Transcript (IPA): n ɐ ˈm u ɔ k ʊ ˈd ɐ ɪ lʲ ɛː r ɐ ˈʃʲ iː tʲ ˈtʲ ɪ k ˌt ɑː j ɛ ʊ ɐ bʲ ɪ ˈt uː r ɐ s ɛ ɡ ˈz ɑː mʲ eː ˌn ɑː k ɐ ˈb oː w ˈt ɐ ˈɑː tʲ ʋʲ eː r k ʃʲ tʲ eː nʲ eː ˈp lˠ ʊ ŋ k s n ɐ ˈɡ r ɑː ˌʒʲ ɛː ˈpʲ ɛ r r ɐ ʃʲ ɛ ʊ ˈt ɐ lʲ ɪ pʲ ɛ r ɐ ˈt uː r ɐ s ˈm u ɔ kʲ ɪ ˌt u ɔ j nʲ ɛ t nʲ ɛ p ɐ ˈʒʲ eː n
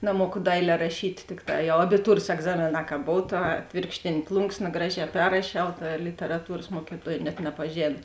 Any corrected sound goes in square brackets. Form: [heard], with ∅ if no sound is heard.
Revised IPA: n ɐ ˈm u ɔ k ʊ ˈd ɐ ɪ lʲ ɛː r ɐ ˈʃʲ iː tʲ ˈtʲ ɪ k ˌt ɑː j ɛ ʊ ɐ bʲ ɪ ˈt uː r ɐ s ɛ ɡ ˈz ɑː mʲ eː ˌn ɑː k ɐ ˈb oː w ˈt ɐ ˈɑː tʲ ʋʲ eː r k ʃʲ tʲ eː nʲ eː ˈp lˠ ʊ ŋ k s n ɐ ˈɡ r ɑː ˌʒʲ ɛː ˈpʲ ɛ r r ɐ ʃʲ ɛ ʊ ˈt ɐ lʲ ɪ [tʲ] ɛ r ɐ ˈt uː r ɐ s ˈm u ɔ kʲ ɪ ˌt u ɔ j nʲ ɛ t nʲ ɛ p ɐ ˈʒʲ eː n